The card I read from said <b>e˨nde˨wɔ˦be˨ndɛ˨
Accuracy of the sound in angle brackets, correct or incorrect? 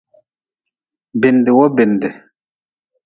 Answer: correct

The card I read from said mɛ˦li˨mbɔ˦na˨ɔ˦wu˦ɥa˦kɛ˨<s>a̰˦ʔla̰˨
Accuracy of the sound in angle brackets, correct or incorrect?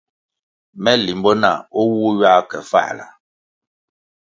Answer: incorrect: f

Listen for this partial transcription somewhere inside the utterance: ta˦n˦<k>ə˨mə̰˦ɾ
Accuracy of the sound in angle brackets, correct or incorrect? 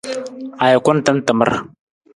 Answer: incorrect: t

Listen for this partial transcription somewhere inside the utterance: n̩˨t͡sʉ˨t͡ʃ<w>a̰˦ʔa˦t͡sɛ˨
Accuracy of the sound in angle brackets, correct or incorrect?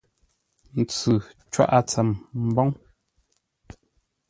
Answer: correct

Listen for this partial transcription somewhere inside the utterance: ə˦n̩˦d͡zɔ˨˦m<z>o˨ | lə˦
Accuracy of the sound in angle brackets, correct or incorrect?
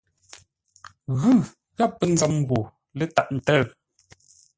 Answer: incorrect: ɣ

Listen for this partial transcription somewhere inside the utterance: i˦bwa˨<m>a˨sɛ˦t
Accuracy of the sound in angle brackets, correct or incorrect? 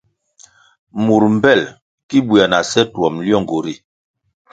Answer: incorrect: n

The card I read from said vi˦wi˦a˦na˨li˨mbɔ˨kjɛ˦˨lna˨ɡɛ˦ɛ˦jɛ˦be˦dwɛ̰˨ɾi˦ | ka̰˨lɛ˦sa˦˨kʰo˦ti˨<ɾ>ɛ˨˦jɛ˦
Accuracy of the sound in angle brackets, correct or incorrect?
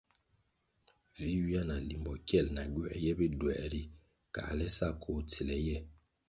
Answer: incorrect: l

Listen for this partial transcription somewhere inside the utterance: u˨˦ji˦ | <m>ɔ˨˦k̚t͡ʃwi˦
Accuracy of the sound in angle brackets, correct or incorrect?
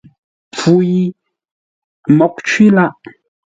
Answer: correct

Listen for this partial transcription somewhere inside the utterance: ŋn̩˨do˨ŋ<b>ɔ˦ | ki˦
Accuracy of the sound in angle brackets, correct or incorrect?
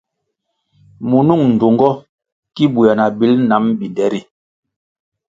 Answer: incorrect: ɡ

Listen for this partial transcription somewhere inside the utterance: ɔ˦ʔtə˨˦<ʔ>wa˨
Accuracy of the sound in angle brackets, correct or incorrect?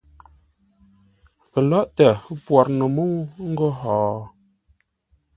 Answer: incorrect: p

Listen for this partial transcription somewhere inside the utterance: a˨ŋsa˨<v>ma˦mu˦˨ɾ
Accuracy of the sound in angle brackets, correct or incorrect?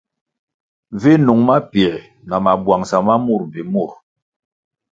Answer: incorrect: none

